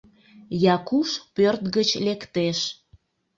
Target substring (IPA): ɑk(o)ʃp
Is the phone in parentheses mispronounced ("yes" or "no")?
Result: yes